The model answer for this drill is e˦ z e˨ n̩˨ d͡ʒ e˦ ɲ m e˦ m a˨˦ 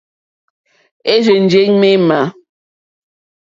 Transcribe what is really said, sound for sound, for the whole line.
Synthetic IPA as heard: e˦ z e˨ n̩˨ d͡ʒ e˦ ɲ m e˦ m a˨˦